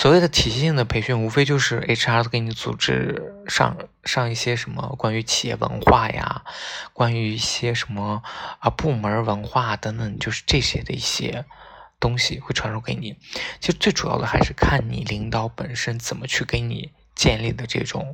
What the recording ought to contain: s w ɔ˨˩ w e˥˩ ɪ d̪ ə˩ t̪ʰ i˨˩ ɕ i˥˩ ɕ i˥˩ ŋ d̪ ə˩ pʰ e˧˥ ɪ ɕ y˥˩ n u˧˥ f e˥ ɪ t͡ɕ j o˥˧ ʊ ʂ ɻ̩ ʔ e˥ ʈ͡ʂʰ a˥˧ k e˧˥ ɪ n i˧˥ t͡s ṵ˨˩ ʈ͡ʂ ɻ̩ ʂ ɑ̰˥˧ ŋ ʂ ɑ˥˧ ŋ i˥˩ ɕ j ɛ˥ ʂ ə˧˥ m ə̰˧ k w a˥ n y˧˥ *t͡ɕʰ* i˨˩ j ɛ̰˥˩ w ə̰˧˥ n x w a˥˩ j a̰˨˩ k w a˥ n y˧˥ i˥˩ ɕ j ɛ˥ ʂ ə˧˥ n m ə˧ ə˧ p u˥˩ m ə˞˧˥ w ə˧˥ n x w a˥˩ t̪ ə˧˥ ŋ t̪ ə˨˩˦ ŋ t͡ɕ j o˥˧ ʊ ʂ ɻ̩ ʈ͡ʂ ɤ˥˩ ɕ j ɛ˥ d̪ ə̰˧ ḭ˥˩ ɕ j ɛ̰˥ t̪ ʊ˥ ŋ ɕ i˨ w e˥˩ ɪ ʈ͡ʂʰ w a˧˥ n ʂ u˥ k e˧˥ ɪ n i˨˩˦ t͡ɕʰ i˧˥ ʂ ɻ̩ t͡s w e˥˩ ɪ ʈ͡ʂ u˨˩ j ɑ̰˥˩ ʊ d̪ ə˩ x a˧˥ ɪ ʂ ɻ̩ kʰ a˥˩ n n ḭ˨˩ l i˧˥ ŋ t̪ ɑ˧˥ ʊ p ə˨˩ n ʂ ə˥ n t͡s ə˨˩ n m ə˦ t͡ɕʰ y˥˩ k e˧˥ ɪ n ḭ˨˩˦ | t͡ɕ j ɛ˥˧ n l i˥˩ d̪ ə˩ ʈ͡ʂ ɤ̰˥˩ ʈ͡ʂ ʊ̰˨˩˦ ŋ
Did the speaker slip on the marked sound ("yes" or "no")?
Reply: no